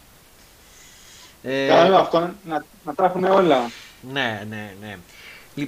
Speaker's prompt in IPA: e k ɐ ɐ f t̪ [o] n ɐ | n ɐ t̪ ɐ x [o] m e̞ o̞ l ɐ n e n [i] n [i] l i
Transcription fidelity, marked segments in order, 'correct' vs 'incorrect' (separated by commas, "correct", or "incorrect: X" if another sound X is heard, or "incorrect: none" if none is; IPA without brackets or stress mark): correct, incorrect: u, incorrect: e, incorrect: e